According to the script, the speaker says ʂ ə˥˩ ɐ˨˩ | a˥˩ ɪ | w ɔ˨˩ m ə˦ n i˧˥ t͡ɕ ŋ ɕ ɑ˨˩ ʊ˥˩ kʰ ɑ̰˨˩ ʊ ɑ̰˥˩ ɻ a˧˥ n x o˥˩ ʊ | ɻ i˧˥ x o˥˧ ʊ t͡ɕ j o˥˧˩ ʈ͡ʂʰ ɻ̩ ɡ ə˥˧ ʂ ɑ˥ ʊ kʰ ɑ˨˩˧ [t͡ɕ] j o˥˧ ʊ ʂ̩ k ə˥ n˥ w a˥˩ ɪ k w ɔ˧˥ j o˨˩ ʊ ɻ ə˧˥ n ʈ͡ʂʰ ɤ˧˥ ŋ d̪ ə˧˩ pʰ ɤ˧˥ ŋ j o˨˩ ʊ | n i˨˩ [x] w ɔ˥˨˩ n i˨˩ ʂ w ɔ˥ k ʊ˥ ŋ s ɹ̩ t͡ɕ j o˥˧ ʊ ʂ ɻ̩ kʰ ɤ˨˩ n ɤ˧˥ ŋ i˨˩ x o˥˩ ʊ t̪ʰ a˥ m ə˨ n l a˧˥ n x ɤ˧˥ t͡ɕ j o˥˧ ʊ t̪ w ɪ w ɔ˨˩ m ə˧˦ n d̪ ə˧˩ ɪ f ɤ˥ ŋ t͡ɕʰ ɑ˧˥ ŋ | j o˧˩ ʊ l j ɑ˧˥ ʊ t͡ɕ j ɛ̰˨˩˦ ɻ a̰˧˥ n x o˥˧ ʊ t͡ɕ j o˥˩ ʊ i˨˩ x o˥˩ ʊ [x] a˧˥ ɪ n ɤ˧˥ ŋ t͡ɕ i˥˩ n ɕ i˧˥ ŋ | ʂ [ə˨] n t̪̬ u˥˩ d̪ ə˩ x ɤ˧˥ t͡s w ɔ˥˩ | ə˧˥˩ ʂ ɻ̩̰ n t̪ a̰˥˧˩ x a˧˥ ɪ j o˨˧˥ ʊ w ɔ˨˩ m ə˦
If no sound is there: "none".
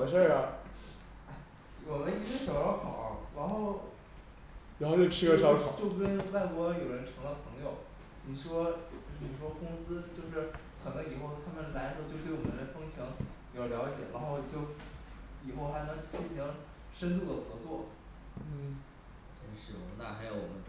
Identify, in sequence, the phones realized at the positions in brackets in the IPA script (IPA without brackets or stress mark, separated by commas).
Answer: t͡ɕ, ʂ, x, ə˥